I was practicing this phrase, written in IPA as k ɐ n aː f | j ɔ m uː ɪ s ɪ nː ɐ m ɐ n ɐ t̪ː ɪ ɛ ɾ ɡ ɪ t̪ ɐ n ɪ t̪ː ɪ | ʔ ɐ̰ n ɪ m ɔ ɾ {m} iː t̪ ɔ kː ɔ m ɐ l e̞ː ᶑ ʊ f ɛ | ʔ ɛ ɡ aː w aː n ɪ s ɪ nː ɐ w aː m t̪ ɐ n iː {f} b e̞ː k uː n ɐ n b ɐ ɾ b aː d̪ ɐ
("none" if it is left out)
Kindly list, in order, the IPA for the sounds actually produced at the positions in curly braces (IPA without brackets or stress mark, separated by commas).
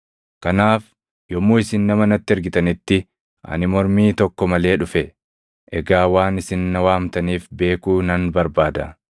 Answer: m, f